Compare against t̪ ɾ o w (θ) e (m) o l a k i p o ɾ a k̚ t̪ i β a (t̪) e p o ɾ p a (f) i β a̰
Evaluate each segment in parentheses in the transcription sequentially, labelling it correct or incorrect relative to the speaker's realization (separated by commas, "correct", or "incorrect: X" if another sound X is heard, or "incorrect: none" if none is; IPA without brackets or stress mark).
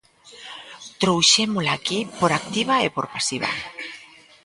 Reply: incorrect: ʃ, correct, incorrect: none, incorrect: s